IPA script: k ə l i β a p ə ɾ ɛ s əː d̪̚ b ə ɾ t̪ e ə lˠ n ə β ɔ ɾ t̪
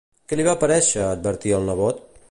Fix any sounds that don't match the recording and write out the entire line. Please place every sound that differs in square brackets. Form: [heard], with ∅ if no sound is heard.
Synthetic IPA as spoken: k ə l i β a p ə ɾ ɛ [ʃ] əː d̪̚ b ə ɾ t̪ [i] ə lˠ n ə β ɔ [∅] t̪